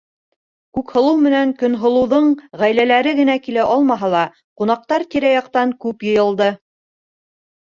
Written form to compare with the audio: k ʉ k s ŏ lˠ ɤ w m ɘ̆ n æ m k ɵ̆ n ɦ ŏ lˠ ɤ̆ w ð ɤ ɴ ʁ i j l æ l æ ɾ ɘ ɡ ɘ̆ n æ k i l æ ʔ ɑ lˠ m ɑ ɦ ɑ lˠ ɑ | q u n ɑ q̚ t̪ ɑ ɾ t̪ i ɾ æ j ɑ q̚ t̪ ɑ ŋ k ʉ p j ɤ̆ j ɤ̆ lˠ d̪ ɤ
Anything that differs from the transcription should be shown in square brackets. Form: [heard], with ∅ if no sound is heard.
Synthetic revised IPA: k ʉ k [h] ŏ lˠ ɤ w m ɘ̆ n æ [ŋ] k ɵ̆ n ɦ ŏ lˠ ɤ̆ w ð ɤ ɴ ʁ [æ] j l æ l æ ɾ ɘ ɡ ɘ̆ n æ k i l æ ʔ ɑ lˠ m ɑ ɦ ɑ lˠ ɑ | q u n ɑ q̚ t̪ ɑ ɾ t̪ i ɾ æ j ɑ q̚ t̪ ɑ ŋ k ʉ p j ɤ̆ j ɤ̆ lˠ d̪ ɤ